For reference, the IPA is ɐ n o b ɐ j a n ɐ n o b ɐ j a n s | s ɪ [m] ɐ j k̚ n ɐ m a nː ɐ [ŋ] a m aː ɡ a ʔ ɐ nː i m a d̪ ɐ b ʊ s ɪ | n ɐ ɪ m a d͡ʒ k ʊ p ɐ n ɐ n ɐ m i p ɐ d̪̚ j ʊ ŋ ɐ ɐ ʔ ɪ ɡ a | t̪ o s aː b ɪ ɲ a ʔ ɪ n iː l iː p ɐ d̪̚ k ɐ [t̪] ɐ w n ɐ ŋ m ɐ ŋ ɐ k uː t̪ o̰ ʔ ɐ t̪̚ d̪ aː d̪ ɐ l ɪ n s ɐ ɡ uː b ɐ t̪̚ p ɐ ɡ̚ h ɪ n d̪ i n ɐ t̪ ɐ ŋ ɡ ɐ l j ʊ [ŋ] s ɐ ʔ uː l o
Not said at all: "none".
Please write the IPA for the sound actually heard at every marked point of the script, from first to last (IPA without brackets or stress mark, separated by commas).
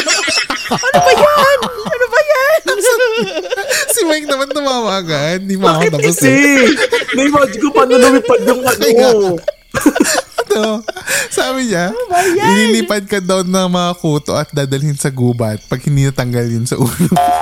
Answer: m, m, d̪, n